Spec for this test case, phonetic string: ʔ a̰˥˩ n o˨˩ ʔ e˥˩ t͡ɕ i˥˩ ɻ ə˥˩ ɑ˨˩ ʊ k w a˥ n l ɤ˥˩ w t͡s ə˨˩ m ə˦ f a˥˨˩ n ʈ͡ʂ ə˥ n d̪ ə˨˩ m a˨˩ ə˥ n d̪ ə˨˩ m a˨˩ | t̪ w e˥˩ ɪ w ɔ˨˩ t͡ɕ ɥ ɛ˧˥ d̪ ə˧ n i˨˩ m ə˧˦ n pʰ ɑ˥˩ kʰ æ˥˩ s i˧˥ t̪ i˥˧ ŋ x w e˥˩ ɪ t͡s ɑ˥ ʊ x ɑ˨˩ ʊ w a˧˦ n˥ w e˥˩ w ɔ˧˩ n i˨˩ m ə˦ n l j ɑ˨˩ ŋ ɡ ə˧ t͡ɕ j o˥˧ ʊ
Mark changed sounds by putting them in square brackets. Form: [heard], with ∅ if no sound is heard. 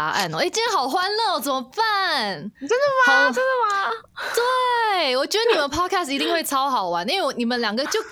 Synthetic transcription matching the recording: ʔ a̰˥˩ n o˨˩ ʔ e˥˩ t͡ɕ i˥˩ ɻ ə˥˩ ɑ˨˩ ʊ [x] w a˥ n l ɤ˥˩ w t͡s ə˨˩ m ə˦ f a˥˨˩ n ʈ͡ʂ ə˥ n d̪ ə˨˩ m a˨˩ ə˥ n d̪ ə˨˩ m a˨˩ | t̪ w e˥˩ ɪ w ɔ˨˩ t͡ɕ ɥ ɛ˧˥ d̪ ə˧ n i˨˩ m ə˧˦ n pʰ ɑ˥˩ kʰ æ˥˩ s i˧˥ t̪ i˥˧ ŋ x w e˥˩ ɪ [t͡sʰ] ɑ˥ ʊ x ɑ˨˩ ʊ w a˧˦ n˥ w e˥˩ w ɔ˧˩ n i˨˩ m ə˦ n l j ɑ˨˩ ŋ ɡ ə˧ t͡ɕ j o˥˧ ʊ